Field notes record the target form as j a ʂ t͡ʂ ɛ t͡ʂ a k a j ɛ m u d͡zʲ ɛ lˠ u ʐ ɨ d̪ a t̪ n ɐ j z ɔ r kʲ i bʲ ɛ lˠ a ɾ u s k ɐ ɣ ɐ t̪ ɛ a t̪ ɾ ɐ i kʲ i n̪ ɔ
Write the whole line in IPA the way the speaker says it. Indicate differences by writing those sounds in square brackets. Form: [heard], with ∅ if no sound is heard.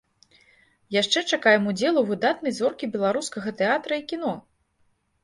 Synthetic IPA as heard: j a ʂ t͡ʂ ɛ t͡ʂ a k a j ɛ m u d͡zʲ ɛ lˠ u [v] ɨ d̪ a t̪ n ɐ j z ɔ r kʲ i bʲ ɛ lˠ a ɾ u s k ɐ ɣ ɐ t̪ ɛ a t̪ ɾ ɐ i kʲ i n̪ ɔ